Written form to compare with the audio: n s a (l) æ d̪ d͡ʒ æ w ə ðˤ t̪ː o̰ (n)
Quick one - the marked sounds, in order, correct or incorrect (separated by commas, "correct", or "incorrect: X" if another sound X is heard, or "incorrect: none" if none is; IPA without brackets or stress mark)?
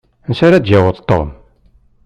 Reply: incorrect: ɾ, incorrect: m